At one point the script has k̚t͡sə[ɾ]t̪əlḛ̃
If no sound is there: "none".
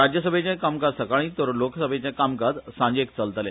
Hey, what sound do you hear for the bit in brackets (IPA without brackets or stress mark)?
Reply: l